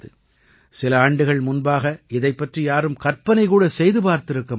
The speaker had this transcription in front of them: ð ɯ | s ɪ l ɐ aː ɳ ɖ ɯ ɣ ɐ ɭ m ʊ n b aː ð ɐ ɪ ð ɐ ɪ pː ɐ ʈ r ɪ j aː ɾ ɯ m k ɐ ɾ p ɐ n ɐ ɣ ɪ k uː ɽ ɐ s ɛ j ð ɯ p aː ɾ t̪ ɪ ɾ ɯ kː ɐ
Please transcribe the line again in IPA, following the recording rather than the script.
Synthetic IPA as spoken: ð ɯ | s ɪ l ɐ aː ɳ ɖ ɯ ɣ ɐ ɭ m ʊ n b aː ɣ ɐ ɪ ð ɐ ɪ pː ɐ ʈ r i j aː ɾ ɯ m k ɐ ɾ p ɐ n ɐ ɪ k uː ɽ ɐ s ɛ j ð ɯ p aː ɾ t̪ ɪ ɾ ɯ kː ɐ